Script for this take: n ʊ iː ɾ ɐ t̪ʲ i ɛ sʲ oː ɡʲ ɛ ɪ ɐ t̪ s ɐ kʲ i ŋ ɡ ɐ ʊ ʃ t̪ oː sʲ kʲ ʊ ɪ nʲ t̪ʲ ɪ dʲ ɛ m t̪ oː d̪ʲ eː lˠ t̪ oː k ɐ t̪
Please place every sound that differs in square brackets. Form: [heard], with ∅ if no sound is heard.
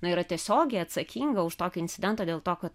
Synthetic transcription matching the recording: n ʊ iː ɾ ɐ t̪ʲ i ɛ sʲ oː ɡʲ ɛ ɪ ɐ t̪ s ɐ kʲ i ŋ ɡ ɐ ʊ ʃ t̪ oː [∅] kʲ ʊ ɪ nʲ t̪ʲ ɪ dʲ ɛ [n] t̪ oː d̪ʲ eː lˠ t̪ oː k ɐ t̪